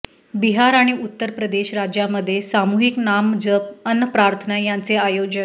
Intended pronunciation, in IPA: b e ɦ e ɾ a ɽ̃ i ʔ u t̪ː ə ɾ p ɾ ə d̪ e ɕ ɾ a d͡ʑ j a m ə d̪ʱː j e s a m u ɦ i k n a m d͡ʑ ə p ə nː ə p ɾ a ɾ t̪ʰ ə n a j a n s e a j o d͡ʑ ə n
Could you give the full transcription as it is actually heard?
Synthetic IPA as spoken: b i ɦ a ɾ a ɽ̃ i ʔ u t̪ː ə ɾ p ɾ ə d̪ e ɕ ɾ a d͡ʑ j a m ə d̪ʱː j e s a m u ɦ i k n a m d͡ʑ ə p ə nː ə p ɾ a ɾ t̪ʰ ə n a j a n t͡s e a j o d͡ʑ ə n